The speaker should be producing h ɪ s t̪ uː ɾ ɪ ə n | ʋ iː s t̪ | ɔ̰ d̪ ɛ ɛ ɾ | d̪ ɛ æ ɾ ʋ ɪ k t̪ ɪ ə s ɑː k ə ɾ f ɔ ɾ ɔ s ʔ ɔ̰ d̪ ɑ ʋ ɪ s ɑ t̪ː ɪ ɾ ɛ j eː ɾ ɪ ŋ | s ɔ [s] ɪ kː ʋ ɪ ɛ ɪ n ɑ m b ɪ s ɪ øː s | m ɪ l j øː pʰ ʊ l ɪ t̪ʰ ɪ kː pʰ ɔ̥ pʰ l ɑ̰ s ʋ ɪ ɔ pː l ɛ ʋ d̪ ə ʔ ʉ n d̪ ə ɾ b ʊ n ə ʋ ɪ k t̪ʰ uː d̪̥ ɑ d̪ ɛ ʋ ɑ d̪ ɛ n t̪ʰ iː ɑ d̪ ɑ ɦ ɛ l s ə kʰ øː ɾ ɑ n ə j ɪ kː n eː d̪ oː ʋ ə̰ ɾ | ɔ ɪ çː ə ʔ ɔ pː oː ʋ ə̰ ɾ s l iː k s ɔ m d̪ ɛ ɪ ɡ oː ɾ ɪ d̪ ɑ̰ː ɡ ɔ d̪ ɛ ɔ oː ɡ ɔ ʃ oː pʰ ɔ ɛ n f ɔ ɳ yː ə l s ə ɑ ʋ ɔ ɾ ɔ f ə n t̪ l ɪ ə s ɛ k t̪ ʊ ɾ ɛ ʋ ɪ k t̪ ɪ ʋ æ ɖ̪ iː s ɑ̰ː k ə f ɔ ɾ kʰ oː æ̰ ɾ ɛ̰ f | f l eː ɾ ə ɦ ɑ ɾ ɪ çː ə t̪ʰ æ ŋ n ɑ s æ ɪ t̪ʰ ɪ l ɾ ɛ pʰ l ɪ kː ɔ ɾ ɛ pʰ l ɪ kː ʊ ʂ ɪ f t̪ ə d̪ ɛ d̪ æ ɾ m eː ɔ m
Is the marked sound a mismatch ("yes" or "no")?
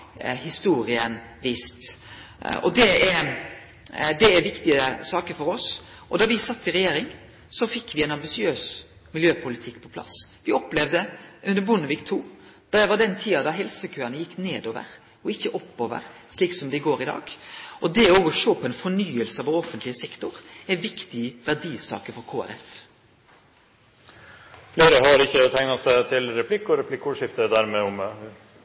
yes